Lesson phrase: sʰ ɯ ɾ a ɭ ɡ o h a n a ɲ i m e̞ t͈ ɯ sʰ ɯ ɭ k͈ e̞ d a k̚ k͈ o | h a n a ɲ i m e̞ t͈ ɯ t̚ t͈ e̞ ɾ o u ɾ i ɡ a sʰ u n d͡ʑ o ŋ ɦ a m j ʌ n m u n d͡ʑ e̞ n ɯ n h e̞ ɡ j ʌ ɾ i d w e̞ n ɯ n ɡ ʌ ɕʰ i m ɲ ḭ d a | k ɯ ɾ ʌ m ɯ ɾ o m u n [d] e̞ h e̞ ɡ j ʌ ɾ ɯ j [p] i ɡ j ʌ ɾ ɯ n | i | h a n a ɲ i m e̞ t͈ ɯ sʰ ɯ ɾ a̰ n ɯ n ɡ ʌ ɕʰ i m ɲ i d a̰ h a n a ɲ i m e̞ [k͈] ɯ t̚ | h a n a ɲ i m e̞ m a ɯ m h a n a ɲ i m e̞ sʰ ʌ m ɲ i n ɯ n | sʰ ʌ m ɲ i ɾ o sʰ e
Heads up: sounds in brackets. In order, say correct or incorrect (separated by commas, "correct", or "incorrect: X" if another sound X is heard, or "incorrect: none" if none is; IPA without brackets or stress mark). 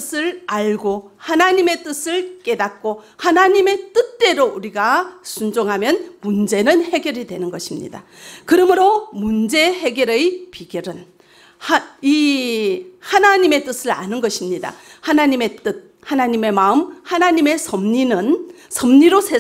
incorrect: d͡ʑ, correct, incorrect: t͈